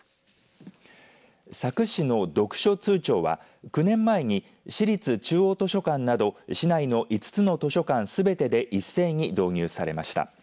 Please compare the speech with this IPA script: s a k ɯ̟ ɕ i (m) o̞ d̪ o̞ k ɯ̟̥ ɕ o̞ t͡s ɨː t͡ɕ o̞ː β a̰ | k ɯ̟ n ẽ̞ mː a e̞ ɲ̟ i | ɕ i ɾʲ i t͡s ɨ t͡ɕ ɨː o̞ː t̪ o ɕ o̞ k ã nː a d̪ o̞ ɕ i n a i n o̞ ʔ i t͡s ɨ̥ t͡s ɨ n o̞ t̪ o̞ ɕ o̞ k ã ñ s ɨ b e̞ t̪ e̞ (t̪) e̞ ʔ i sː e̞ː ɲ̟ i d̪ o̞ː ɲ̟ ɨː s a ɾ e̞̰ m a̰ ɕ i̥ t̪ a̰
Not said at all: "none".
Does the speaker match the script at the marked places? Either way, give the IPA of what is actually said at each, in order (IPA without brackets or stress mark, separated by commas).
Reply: n, d̪